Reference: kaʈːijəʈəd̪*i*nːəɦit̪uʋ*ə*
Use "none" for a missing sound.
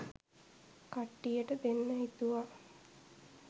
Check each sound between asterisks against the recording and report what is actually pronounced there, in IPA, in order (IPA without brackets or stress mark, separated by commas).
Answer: e, a